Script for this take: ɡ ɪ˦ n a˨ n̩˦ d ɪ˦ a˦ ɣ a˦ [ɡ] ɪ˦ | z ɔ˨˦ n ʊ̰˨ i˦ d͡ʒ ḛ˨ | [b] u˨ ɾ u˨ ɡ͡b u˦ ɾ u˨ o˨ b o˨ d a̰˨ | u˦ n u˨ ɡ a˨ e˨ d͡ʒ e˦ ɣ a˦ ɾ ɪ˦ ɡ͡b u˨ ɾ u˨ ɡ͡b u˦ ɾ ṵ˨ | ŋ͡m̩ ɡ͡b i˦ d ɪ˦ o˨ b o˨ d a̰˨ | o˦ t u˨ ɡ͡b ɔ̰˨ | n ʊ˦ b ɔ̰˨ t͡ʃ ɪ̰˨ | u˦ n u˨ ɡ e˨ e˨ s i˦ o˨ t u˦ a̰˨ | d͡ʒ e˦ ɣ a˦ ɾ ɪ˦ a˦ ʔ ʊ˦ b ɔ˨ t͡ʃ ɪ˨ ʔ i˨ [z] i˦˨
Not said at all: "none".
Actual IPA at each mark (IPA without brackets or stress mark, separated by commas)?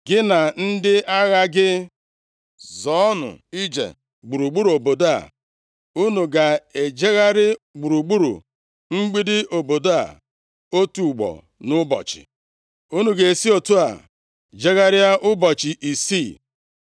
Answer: ɡ, ɡ͡b, s